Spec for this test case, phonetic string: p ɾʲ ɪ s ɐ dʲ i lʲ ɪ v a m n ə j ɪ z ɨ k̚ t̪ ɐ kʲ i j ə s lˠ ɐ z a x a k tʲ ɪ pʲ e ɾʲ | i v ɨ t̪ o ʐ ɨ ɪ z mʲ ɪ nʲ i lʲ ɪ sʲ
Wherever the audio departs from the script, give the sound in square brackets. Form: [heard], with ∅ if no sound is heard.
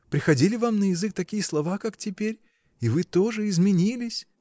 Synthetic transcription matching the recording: p ɾʲ ɪ [x] ɐ dʲ i lʲ ɪ v a m n ə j ɪ z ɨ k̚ t̪ ɐ kʲ i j ə s lˠ ɐ [v] a [k] a k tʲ ɪ pʲ e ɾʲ | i v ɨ t̪ o ʐ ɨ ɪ z mʲ ɪ nʲ i lʲ ɪ sʲ